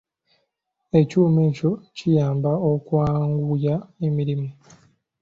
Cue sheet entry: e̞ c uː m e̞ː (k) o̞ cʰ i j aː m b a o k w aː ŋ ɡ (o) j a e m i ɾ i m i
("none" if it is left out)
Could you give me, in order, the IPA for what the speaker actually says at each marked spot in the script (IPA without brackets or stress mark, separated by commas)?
c, u